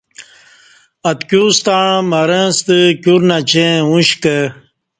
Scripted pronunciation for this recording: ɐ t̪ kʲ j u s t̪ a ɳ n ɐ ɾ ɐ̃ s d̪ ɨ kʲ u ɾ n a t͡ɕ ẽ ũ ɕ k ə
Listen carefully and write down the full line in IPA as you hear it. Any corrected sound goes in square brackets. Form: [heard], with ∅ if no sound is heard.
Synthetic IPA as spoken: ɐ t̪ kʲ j u s t̪ a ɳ [m] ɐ ɾ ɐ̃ s [t̪] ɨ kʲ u ɾ n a t͡ɕ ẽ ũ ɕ k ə